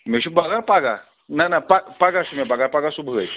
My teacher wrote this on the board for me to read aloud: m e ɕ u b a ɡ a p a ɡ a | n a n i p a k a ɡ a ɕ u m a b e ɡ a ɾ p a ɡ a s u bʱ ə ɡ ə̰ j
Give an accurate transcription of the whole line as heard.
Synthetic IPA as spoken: m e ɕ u b a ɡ a p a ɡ a | n a n a p a p a ɡ a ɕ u m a b a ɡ a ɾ p a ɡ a s u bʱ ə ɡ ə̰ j